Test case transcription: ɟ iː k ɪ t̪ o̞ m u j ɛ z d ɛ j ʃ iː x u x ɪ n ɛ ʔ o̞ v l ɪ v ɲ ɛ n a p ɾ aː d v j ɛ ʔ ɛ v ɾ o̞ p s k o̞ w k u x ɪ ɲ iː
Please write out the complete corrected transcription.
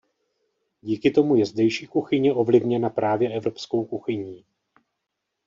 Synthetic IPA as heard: ɟ iː k ɪ t̪ o̞ m u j ɛ z d ɛ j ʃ iː k u x ɪ ɲ ɛ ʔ o̞ v l ɪ v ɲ ɛ n a p ɾ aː v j ɛ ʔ ɛ v ɾ o̞ p s k o̞ w k u x ɪ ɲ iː